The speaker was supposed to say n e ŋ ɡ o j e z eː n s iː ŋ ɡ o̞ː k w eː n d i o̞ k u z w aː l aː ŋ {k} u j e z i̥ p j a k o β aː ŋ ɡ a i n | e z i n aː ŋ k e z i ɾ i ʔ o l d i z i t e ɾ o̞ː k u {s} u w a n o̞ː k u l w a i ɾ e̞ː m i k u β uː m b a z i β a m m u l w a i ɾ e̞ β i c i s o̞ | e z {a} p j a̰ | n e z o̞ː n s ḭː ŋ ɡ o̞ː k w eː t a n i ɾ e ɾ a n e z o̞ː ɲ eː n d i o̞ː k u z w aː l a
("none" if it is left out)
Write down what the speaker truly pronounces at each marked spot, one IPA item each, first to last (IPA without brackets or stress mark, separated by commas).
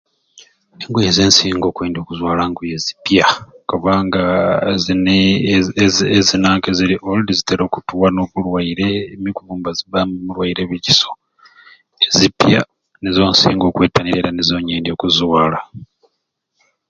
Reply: ɡ, t, i